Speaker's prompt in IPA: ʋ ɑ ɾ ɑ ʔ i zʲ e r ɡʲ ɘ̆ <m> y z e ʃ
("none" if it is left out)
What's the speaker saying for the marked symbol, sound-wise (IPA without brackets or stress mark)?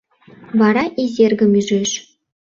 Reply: m